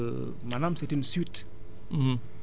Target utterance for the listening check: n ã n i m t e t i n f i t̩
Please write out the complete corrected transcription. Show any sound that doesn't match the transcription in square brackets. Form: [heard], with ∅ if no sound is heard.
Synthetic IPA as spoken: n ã n [a] m [s] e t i n [s] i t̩